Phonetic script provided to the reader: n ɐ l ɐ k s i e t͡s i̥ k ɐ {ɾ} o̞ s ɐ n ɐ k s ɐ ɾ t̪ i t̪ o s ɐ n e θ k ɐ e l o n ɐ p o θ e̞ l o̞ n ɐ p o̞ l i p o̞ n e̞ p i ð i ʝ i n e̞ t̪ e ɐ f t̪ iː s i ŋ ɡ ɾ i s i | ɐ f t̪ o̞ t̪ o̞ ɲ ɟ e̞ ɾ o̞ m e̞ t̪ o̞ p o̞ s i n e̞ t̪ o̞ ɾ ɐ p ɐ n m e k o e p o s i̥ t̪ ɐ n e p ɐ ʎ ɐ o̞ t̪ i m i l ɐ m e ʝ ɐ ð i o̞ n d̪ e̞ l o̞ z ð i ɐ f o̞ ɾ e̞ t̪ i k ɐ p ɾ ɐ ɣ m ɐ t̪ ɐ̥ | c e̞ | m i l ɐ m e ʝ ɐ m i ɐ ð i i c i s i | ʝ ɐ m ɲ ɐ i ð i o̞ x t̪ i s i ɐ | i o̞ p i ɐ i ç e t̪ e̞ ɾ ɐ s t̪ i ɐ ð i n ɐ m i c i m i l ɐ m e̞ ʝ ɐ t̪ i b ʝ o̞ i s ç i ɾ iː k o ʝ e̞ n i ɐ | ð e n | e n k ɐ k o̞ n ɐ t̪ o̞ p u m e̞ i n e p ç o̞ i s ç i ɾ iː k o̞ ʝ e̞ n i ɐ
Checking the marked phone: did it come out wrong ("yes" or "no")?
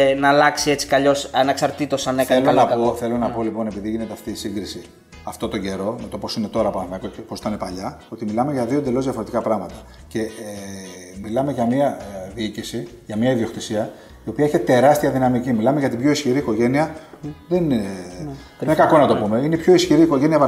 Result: yes